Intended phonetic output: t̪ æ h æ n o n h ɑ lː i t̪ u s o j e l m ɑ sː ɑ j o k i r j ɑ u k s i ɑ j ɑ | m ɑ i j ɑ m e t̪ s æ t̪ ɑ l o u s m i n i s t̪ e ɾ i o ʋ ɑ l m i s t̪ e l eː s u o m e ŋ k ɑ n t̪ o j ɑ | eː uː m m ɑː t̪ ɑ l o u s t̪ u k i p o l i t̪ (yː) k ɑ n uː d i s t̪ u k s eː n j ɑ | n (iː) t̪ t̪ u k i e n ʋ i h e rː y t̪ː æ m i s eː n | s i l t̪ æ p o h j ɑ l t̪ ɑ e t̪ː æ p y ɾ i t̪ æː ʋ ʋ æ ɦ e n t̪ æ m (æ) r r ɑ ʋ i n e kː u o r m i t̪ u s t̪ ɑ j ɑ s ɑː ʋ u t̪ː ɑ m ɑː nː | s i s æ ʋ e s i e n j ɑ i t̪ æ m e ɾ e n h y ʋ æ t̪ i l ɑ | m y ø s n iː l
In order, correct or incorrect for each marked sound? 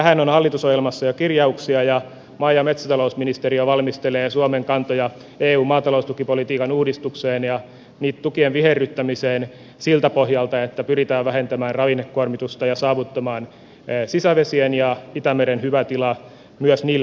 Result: incorrect: iː, correct, incorrect: æː

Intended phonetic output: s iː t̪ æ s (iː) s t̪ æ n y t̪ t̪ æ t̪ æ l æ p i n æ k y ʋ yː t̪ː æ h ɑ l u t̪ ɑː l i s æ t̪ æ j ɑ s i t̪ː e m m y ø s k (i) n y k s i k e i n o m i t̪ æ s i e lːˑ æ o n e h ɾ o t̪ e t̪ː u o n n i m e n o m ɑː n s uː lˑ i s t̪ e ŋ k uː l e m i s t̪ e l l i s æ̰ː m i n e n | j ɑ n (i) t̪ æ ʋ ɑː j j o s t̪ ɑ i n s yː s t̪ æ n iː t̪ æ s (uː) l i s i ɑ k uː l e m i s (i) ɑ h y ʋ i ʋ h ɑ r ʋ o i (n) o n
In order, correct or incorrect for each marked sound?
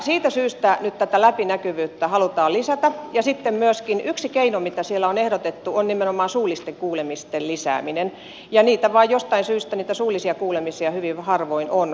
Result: incorrect: yː, correct, incorrect: iː, correct, correct, correct

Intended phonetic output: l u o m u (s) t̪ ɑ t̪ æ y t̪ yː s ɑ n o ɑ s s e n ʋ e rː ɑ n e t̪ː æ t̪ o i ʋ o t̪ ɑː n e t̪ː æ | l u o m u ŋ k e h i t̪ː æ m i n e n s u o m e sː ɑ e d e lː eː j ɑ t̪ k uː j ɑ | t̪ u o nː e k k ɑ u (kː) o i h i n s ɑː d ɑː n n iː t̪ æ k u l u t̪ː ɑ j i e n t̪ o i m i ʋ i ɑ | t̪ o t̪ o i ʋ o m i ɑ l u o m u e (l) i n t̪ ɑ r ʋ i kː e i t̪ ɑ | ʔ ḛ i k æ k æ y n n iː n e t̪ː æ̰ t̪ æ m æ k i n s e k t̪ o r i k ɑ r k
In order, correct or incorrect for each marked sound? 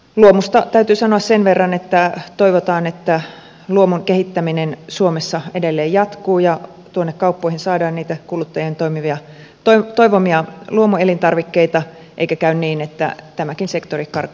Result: correct, incorrect: pː, correct

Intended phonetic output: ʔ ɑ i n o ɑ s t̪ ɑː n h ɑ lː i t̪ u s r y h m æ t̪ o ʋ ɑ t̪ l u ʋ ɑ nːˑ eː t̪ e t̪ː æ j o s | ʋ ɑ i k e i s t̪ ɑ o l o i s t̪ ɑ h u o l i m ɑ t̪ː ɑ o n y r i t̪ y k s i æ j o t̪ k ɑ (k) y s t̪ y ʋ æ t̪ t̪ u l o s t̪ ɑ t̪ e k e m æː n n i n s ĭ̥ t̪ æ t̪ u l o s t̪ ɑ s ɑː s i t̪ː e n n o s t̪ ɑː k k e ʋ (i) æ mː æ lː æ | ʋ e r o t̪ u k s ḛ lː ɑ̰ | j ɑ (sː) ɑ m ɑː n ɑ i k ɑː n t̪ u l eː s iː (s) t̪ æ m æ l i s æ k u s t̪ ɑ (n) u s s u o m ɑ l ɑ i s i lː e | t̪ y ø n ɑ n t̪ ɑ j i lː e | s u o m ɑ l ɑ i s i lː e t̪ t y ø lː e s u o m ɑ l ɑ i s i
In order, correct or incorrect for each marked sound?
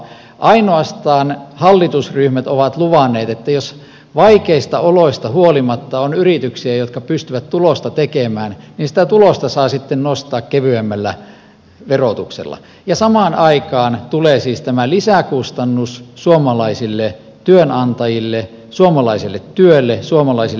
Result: incorrect: p, incorrect: y, incorrect: s, correct, incorrect: nː

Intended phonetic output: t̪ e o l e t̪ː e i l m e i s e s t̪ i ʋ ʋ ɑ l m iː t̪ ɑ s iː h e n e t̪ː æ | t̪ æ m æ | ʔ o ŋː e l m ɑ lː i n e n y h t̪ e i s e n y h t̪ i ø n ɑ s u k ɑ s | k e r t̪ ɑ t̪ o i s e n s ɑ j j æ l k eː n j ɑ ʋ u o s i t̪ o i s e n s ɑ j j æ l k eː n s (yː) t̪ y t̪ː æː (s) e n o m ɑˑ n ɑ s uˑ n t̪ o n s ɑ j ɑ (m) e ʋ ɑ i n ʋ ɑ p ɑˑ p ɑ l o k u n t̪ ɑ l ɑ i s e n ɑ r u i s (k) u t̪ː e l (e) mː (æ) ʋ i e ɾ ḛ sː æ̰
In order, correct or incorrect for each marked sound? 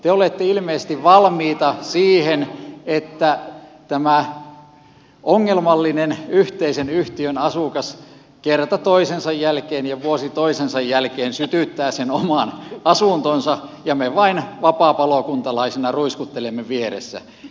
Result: incorrect: y, correct, correct, correct, correct, incorrect: e

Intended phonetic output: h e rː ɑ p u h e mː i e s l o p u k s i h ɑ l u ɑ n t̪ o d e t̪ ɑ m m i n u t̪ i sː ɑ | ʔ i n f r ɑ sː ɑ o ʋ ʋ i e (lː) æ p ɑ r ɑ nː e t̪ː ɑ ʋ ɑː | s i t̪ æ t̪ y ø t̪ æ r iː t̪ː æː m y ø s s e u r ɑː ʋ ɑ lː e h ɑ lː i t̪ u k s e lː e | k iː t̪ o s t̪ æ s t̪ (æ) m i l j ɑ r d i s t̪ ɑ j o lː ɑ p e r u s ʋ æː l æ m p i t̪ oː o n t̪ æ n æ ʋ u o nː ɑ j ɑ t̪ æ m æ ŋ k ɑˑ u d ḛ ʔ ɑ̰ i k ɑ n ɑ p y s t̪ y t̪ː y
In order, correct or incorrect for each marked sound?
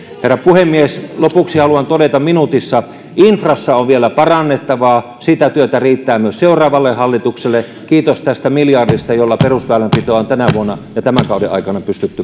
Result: incorrect: l, correct

